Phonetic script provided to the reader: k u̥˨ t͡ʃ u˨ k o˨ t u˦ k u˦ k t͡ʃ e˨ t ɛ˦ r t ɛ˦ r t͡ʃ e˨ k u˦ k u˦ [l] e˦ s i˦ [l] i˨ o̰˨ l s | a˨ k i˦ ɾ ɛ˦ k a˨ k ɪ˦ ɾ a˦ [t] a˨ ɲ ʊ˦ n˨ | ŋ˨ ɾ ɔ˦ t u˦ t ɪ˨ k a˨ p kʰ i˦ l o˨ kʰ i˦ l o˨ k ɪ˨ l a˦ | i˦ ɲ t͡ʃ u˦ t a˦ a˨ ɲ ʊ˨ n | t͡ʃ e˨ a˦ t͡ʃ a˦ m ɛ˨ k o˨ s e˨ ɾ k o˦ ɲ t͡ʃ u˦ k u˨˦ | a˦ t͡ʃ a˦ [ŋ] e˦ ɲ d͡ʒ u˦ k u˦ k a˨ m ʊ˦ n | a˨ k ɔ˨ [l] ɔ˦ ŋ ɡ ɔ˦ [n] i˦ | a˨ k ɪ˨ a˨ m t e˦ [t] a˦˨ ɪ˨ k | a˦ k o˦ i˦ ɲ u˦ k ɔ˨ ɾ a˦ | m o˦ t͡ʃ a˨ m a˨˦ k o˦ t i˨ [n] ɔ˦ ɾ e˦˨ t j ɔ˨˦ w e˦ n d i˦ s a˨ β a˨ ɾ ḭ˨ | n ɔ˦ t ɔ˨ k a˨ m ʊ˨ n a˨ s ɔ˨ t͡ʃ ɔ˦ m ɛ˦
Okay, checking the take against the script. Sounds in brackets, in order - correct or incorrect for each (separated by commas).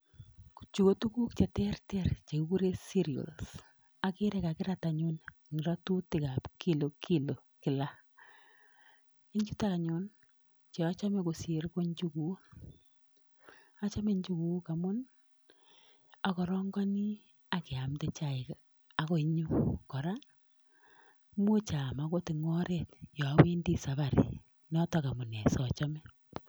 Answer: incorrect, incorrect, correct, incorrect, incorrect, correct, incorrect, incorrect